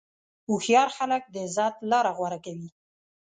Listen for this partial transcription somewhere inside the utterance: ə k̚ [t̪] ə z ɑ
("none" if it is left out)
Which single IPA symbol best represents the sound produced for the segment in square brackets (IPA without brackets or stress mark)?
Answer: d̪